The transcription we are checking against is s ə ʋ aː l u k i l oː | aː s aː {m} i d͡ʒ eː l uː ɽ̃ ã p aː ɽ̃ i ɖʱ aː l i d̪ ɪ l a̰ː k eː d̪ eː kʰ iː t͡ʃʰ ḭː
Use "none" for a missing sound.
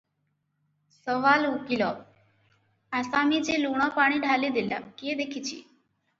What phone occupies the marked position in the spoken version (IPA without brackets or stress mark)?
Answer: m